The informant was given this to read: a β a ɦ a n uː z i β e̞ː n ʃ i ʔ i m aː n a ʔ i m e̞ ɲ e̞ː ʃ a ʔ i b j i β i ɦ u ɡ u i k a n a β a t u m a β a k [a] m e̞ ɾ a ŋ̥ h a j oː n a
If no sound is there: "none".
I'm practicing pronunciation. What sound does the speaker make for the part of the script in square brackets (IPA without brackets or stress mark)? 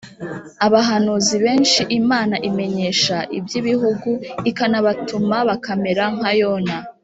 a